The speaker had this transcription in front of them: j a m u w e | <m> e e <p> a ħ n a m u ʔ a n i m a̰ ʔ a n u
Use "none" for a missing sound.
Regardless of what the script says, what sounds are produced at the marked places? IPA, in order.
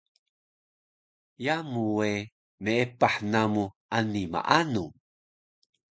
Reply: m, p

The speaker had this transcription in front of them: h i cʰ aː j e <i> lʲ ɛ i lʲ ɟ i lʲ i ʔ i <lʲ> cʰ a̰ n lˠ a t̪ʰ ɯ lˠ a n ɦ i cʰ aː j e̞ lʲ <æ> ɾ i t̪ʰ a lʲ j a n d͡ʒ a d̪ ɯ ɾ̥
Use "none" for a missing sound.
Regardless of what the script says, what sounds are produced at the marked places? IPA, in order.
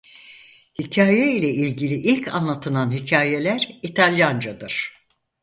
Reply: i, lʲ, æ

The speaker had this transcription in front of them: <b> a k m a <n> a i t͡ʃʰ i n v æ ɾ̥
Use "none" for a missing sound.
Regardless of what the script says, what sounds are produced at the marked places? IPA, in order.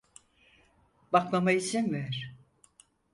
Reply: b, m

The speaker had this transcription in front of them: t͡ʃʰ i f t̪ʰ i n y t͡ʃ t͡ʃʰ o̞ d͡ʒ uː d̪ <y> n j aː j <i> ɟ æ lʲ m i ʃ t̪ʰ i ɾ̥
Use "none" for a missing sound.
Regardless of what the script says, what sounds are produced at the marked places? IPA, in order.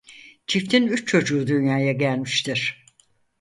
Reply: y, a

